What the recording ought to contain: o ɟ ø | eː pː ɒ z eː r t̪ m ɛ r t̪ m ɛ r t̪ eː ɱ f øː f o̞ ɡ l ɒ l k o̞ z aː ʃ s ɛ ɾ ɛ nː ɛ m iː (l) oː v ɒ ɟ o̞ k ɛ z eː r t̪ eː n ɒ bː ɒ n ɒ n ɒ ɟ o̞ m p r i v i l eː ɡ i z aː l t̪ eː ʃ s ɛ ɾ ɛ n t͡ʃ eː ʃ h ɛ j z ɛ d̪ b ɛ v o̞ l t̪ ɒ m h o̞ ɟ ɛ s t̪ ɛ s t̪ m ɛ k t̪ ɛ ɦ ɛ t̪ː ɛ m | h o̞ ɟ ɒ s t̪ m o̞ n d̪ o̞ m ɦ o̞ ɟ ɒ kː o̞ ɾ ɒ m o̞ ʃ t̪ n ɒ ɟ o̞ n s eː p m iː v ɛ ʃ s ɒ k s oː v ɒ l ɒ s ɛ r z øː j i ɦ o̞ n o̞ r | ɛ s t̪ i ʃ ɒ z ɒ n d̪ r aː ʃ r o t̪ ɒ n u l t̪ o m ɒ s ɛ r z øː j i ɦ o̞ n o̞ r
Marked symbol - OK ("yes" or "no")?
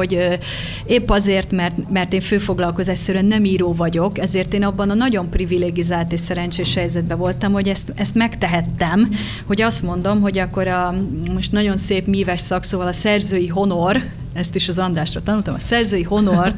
no